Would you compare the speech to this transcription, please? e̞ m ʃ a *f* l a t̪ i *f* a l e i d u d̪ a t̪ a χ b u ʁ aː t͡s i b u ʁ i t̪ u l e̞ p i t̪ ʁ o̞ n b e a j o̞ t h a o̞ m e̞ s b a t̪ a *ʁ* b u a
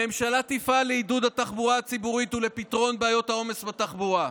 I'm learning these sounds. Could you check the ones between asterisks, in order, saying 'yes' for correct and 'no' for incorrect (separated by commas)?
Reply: no, yes, no